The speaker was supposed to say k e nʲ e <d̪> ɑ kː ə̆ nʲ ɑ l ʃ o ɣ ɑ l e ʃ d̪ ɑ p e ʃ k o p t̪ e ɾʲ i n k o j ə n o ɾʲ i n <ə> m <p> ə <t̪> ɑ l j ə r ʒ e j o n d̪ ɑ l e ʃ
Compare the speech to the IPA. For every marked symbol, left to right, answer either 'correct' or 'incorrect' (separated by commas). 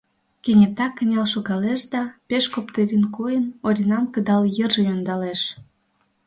incorrect, incorrect, incorrect, incorrect